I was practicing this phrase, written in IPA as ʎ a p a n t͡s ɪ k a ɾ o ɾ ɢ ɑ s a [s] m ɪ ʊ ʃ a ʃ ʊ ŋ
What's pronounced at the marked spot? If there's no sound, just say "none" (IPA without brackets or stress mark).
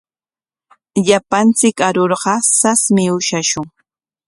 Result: s